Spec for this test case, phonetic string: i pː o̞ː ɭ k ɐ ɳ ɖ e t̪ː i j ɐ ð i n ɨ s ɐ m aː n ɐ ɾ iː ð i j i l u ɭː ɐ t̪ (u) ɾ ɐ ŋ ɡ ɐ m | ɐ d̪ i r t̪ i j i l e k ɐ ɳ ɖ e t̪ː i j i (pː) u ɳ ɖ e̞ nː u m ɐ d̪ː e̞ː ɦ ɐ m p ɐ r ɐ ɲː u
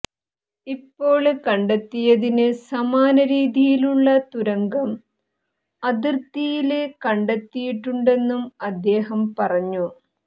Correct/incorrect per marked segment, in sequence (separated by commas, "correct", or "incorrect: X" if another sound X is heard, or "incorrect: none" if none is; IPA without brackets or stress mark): correct, incorrect: ʈː